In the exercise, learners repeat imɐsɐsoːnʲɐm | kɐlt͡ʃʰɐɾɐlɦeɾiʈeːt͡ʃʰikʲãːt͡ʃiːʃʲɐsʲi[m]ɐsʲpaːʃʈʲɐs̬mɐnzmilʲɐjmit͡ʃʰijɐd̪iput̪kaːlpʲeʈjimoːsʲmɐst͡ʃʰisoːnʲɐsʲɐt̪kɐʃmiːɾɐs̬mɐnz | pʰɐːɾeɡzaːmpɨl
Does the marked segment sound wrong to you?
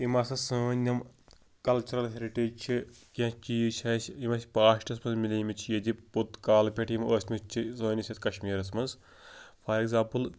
no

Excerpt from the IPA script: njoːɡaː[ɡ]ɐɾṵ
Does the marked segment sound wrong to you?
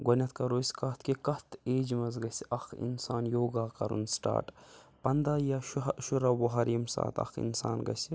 yes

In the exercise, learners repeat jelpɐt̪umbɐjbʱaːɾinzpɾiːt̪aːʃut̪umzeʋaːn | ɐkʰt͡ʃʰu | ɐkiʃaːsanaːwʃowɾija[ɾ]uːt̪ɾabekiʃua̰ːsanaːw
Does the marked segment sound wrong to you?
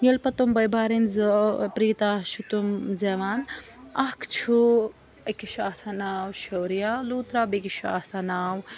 yes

